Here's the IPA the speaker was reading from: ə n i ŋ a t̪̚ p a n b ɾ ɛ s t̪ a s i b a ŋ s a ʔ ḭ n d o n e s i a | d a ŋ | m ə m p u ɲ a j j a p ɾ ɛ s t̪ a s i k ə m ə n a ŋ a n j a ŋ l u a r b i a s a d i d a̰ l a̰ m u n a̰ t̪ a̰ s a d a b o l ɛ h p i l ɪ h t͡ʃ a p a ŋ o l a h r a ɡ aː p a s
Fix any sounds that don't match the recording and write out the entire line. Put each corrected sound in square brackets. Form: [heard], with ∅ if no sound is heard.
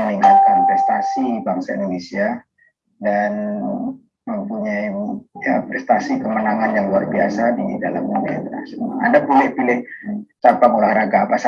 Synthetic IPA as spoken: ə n i ŋ a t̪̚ [k] a n [p] ɾ ɛ s t̪ a s i b a ŋ s a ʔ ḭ n d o n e s i a | d a [n] | m ə m p u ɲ a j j a p ɾ ɛ s t̪ a s i k ə m ə n a ŋ a n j a ŋ l u a r b i a s a d i d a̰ l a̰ m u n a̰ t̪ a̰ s a d a b o l ɛ h p i l ɪ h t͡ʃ a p a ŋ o l a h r a ɡ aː p a s